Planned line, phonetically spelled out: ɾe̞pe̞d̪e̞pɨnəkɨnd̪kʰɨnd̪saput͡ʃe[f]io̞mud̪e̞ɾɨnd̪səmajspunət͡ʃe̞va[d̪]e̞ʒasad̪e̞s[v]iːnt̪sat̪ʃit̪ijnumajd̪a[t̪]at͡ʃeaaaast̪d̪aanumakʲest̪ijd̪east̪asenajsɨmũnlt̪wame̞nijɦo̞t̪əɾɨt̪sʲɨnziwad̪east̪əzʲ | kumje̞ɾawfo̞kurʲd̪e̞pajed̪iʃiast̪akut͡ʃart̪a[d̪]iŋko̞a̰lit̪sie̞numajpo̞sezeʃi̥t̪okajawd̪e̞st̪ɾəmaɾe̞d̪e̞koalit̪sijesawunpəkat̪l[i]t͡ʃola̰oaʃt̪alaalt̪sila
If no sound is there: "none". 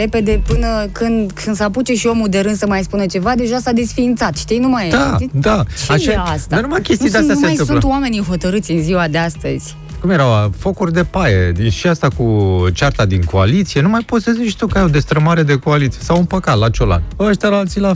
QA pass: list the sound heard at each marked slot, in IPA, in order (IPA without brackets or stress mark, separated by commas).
ʃ, d̪, f, d̪, d̪, a